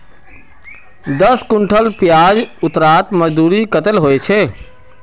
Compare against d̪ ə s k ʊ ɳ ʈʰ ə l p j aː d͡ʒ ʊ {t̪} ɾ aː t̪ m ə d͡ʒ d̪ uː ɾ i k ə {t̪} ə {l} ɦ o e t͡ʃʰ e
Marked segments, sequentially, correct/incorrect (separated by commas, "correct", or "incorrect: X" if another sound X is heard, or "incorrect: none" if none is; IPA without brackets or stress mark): correct, correct, correct